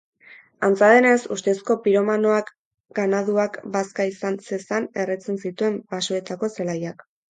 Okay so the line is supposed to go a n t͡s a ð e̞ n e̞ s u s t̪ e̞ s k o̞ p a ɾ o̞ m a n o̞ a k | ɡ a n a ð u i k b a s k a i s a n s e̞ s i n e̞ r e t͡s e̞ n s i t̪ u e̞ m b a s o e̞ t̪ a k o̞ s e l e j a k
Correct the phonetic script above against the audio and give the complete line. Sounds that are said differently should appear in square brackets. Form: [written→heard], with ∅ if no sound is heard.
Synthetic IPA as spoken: a n t͡s a ð e̞ n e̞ s u s t̪ e̞ s k o̞ p [a→i] ɾ o̞ m a n o̞ a k | ɡ a n a ð u [i→a] k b a s k a i s a n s e̞ s [i→a] n e̞ r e t͡s e̞ n s i t̪ u e̞ m b a s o e̞ t̪ a k o̞ s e l [e→a] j a k

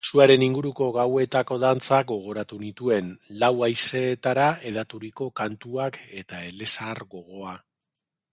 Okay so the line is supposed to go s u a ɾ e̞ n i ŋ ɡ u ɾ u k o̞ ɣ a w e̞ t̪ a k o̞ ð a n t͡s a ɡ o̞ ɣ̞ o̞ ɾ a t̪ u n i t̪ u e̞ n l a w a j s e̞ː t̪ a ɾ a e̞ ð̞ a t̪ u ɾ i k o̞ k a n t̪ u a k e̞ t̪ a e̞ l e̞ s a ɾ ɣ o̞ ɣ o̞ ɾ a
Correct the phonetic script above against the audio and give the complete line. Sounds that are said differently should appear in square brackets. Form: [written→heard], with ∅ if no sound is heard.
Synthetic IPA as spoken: s u a ɾ e̞ n i ŋ ɡ u ɾ u k o̞ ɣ a w e̞ t̪ a k o̞ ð a n t͡s a ɡ o̞ ɣ̞ o̞ ɾ a t̪ u n i t̪ u e̞ n l a w a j s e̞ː t̪ a ɾ a e̞ ð̞ a t̪ u ɾ i k o̞ k a n t̪ u a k e̞ t̪ a e̞ l e̞ s a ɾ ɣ o̞ ɣ o̞ [ɾ→∅] a

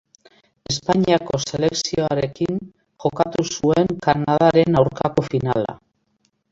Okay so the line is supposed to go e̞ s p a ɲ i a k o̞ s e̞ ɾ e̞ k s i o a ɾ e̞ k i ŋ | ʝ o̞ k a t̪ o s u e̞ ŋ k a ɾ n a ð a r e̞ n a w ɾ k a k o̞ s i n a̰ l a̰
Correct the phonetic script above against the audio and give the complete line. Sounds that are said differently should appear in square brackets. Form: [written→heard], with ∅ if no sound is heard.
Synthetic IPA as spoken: e̞ s p a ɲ i a k o̞ s e̞ [ɾ→l] e̞ k s i o a ɾ e̞ k i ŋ | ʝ o̞ k a t̪ [o→u] s u e̞ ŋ k a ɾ n a ð a [r→ɾ] e̞ n a w ɾ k a k o̞ [s→f] i n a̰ l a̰

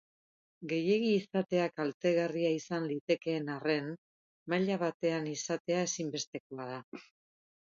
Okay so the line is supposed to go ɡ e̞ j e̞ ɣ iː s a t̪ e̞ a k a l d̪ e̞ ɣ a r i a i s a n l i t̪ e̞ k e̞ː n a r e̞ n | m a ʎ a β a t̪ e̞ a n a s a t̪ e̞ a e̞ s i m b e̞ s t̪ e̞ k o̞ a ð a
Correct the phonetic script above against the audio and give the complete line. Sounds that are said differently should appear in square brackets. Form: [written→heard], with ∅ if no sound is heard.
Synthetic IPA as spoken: ɡ e̞ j e̞ ɣ iː s a t̪ e̞ a k a l [d̪→t̪] e̞ ɣ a r i a i s a n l i t̪ e̞ k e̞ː n a r e̞ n | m a ʎ a β a t̪ e̞ a n [a→i] s a t̪ e̞ a e̞ s i m b e̞ s t̪ e̞ k o̞ a ð a

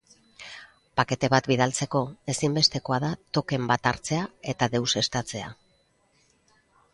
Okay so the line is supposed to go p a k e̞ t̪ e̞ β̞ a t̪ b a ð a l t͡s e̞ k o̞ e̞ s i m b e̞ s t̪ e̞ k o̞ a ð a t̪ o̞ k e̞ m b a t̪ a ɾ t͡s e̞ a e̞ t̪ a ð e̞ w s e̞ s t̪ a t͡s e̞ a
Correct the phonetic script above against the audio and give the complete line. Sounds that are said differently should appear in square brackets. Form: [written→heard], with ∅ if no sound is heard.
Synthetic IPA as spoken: p a k e̞ t̪ e̞ β̞ a t̪ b [a→i] ð a l t͡s e̞ k o̞ e̞ s i m b e̞ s t̪ e̞ k o̞ a ð a t̪ o̞ k e̞ m b a t̪ a ɾ t͡s e̞ a e̞ t̪ a ð e̞ w s e̞ s t̪ a t͡s e̞ a

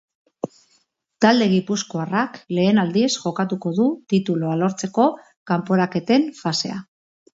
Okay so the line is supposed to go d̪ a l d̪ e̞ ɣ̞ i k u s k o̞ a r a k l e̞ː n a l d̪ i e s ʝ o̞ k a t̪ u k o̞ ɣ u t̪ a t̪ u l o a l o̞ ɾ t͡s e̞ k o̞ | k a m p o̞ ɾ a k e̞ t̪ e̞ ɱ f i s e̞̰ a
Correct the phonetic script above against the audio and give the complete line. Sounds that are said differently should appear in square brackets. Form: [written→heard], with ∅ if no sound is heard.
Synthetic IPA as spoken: [d̪→t̪] a l d̪ e̞ ɣ̞ i [k→p] u s k o̞ a r a k l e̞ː n a l d̪ i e s ʝ o̞ k a t̪ u k o̞ [ɣ→ð] u t̪ [a→i] t̪ u l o a l o̞ ɾ t͡s e̞ k o̞ | k a m p o̞ ɾ a k e̞ t̪ e̞ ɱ f [i→a] s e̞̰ a

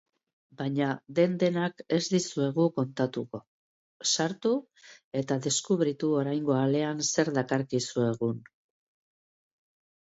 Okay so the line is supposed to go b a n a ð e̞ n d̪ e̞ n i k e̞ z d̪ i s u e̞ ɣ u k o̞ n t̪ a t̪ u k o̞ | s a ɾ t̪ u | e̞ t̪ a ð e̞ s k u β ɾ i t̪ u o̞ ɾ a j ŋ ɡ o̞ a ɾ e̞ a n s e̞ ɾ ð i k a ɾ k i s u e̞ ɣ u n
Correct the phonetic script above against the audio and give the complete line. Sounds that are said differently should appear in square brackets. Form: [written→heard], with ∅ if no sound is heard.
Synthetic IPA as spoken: b a [n→ɲ] a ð e̞ n d̪ e̞ n [i→a] k e̞ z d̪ i s u e̞ ɣ u k o̞ n t̪ a t̪ u k o̞ | s a ɾ t̪ u | e̞ t̪ a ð e̞ s k u β ɾ i t̪ u o̞ ɾ a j ŋ ɡ o̞ a [ɾ→l] e̞ a n s e̞ ɾ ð [i→a] k a ɾ k i s u e̞ ɣ u n

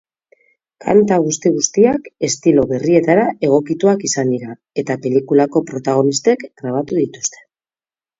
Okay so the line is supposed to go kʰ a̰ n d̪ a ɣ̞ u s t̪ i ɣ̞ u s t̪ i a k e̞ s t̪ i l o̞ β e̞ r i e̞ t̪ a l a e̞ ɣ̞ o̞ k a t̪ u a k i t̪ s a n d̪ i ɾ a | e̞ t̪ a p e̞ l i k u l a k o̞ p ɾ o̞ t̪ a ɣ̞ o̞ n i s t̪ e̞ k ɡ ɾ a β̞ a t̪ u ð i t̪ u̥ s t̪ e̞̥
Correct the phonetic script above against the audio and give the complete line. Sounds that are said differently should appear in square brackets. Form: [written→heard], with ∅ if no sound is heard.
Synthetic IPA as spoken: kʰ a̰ n [d̪→t̪] a ɣ̞ u s t̪ i ɣ̞ u s t̪ i a k e̞ s t̪ i l o̞ β e̞ r i e̞ t̪ a [l→ɾ] a e̞ ɣ̞ o̞ k [a→i] t̪ u a k i [t̪→∅] s a n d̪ i ɾ a | e̞ t̪ a p e̞ l i k u l a k o̞ p ɾ o̞ t̪ a ɣ̞ o̞ n i s t̪ e̞ k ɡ ɾ a β̞ a t̪ u ð i t̪ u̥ s t̪ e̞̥

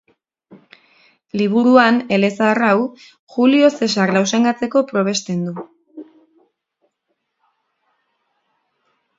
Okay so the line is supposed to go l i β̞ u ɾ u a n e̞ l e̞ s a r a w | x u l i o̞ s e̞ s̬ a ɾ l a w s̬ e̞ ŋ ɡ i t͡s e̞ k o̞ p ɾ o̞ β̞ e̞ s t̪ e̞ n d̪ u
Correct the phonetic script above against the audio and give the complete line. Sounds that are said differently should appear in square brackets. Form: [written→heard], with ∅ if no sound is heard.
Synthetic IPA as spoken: l i β̞ u ɾ u a n e̞ l e̞ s a r a w | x u l i o̞ s e̞ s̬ a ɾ l a w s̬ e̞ ŋ ɡ [i→a] t͡s e̞ k o̞ p ɾ o̞ β̞ e̞ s t̪ e̞ n d̪ u

